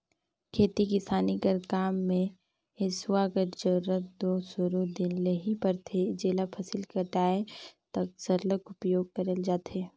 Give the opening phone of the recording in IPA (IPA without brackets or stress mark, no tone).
kʰ